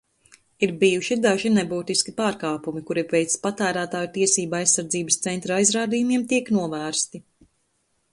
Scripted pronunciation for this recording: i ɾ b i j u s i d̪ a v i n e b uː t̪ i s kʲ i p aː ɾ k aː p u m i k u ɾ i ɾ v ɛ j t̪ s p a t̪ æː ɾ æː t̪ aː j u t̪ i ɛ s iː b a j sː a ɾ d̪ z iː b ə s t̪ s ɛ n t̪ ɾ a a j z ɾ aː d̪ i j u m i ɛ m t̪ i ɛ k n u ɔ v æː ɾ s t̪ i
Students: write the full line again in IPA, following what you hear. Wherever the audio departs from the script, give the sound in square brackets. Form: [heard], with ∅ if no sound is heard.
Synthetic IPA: i ɾ b i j u [ʃ] i d̪ a [ʒ] i n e b uː t̪ i s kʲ i p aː ɾ k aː p u m i k u ɾ i ɾ v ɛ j t̪ s p a t̪ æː ɾ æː t̪ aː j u t̪ i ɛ s iː b a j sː a ɾ d̪ z iː b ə s t̪ s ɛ n t̪ ɾ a a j z ɾ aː d̪ i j u m i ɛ m t̪ i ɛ k n u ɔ v æː ɾ s t̪ i